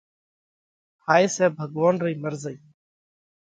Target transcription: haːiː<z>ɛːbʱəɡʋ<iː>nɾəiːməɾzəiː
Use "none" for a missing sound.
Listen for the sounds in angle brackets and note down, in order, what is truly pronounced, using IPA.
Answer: s, aː

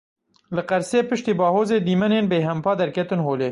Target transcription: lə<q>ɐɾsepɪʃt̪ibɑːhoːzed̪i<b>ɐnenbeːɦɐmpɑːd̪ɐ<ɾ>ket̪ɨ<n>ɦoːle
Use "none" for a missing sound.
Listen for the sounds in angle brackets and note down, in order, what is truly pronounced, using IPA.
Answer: q, m, ɾ, n

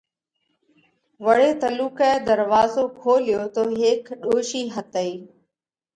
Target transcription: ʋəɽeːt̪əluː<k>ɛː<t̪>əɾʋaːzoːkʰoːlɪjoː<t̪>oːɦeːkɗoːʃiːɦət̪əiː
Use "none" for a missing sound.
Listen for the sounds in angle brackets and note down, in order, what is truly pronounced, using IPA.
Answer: k, d̪, t̪

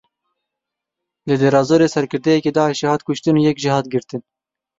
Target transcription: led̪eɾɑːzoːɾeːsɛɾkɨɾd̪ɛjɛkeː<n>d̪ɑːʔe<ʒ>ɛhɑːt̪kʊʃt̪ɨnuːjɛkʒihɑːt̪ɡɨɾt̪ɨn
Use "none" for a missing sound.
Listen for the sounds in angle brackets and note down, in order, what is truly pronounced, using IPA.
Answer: none, ʃ

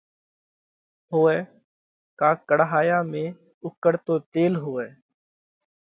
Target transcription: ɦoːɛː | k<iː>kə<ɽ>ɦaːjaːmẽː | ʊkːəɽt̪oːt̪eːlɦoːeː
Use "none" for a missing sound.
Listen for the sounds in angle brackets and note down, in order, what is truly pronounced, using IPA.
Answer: aː, ɽ

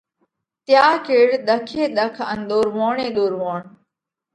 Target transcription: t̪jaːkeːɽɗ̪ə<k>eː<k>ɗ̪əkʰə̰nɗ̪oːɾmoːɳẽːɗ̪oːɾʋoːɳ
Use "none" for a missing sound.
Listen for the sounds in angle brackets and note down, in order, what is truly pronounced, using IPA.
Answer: kʰ, none

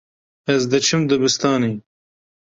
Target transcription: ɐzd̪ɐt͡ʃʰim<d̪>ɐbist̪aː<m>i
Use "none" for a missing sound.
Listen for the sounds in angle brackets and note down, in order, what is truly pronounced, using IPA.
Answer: d̪, n

